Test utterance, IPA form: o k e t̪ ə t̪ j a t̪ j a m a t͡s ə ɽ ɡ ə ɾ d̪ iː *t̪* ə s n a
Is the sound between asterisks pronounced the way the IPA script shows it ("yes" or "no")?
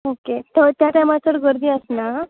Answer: no